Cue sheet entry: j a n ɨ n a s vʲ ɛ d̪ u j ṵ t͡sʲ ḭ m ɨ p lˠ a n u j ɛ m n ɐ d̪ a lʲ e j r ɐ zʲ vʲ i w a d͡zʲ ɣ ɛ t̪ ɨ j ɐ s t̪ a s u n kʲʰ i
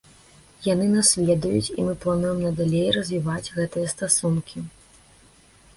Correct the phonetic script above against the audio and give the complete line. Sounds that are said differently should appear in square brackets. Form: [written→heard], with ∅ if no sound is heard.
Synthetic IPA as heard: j a n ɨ n a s vʲ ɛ d̪ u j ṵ t͡sʲ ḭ m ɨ p lˠ a n u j ɛ m n ɐ d̪ a lʲ e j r ɐ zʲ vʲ i [w→v] a d͡zʲ ɣ ɛ t̪ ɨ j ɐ s t̪ a s u n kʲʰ i